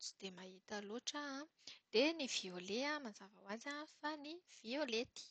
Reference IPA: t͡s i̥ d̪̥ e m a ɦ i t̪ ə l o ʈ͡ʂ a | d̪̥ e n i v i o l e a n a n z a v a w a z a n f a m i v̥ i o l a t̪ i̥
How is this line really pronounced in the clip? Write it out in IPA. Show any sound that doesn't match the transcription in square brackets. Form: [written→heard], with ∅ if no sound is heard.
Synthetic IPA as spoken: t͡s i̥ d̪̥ e m a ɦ i t̪ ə l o ʈ͡ʂ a | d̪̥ e n i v i o l e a [n→m] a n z a v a w a z a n f a [m→n] i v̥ i o l [a→e] t̪ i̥